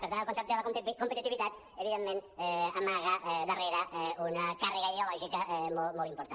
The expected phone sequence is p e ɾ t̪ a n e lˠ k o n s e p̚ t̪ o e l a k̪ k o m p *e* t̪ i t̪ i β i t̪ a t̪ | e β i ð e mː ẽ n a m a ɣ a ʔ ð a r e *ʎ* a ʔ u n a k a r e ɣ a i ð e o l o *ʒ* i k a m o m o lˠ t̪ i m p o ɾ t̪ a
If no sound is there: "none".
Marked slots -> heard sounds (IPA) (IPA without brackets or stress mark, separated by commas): e, ɾ, ʒ